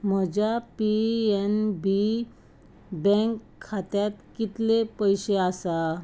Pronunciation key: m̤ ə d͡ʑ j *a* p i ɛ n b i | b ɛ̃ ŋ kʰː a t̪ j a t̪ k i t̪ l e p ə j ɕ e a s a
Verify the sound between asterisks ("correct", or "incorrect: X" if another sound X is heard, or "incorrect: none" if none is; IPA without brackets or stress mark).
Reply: correct